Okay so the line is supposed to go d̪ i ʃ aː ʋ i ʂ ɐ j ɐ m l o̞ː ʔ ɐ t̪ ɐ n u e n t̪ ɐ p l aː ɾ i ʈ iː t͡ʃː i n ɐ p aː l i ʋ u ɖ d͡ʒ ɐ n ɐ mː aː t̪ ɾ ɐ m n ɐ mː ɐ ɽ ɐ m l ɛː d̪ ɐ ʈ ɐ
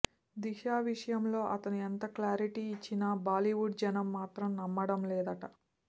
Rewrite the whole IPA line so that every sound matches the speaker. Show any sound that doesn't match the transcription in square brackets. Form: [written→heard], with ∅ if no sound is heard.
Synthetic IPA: d̪ i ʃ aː ʋ i ʂ ɐ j ɐ m l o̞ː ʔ ɐ t̪ ɐ n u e n t̪ ɐ [p→k] l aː ɾ i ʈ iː t͡ʃː i n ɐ [p→b] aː l i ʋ u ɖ d͡ʒ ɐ n ɐ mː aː t̪ ɾ ɐ m n ɐ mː ɐ ɽ ɐ m l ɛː d̪ ɐ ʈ ɐ

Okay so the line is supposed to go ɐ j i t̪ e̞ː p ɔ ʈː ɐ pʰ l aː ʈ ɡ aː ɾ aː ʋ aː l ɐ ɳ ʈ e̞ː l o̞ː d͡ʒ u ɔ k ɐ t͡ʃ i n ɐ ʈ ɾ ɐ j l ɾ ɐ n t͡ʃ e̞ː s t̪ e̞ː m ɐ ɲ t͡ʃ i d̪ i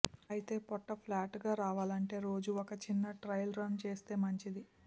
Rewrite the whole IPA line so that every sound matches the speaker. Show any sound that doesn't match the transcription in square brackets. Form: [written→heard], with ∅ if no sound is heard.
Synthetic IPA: ɐ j i t̪ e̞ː p ɔ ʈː ɐ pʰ l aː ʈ ɡ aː ɾ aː ʋ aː l ɐ ɳ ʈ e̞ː [l→ɾ] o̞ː d͡ʒ u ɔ k ɐ t͡ʃ i [n→nː] ɐ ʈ ɾ ɐ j l ɾ ɐ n t͡ʃ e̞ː s t̪ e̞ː m ɐ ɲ t͡ʃ i d̪ i

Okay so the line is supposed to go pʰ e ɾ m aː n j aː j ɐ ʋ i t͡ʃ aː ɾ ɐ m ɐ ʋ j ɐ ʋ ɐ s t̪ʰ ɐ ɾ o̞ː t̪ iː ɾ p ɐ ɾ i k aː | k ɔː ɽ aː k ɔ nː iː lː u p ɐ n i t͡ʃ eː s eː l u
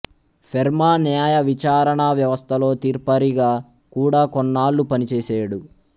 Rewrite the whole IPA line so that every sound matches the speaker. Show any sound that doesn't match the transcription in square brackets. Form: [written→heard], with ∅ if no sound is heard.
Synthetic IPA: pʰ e ɾ m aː n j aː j ɐ ʋ i t͡ʃ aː ɾ ɐ [m→ɳ] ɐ ʋ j ɐ ʋ ɐ s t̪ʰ ɐ [ɾ→l] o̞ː t̪ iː ɾ p ɐ ɾ i [k→ɡ] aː | k [ɔː→uː] ɽ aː k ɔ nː [iː→aː] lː u p ɐ n i t͡ʃ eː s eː [l→ɽ] u

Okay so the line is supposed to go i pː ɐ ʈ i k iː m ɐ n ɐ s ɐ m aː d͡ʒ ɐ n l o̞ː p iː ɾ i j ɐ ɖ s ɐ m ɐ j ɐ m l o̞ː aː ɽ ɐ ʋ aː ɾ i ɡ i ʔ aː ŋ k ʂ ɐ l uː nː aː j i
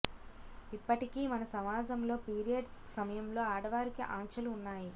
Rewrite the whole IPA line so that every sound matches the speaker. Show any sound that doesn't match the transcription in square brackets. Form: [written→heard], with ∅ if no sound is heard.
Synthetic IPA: i pː ɐ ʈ i k iː m ɐ n ɐ s ɐ m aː d͡ʒ ɐ [n→m] l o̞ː p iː ɾ i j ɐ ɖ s ɐ m ɐ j ɐ m l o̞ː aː ɽ ɐ ʋ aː ɾ i [ɡ→k] i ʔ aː ŋ k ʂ ɐ l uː nː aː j i

